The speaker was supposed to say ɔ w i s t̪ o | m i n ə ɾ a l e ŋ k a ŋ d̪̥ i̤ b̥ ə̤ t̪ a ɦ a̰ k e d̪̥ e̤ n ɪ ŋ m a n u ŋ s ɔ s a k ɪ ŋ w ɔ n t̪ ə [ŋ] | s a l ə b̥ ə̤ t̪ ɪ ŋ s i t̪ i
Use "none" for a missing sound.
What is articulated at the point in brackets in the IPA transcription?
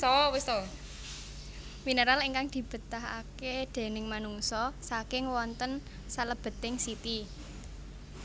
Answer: n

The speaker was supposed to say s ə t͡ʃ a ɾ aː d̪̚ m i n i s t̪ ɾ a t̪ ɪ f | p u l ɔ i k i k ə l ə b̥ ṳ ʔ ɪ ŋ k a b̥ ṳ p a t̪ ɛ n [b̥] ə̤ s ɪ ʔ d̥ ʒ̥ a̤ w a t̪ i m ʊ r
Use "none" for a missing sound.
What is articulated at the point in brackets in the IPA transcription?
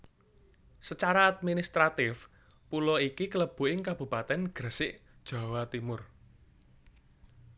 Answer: ɡ̥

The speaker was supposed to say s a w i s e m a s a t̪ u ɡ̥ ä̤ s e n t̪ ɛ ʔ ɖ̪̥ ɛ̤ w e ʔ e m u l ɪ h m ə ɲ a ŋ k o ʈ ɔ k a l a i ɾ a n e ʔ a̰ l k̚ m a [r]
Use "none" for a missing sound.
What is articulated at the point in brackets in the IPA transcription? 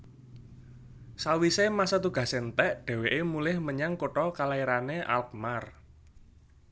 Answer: r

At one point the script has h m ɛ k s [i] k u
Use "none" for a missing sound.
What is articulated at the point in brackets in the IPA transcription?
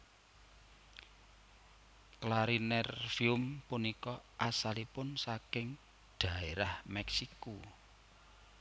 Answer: i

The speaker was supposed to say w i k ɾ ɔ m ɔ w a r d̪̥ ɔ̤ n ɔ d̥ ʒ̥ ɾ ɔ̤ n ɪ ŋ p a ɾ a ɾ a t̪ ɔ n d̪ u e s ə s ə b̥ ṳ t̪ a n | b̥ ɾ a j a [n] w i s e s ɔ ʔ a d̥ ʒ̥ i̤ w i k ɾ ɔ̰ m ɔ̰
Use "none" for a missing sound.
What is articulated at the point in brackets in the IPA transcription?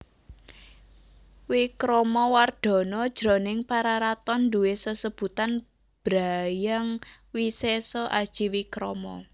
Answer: ŋ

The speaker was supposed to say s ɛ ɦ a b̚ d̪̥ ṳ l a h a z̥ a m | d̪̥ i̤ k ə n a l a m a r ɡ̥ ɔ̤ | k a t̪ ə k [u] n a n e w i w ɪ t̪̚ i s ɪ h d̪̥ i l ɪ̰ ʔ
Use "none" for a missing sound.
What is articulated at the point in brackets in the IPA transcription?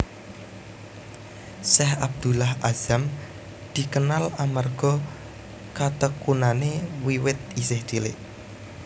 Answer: u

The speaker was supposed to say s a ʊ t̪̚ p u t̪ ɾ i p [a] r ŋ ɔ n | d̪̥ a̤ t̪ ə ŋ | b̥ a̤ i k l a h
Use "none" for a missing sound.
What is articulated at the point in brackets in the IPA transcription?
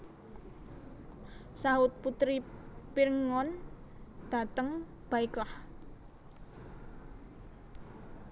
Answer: i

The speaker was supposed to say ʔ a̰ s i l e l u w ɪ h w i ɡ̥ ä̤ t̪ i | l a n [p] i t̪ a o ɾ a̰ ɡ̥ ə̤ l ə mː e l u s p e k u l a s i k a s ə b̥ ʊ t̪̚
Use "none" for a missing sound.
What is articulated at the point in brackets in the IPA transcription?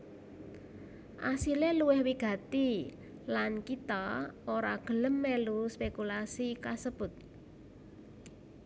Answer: k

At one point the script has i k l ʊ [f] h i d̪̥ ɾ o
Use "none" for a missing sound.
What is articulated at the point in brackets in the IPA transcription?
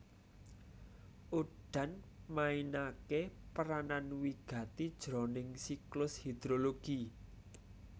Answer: s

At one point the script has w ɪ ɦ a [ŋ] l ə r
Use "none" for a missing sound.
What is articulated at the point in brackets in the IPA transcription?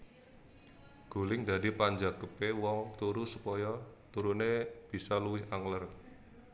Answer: ŋ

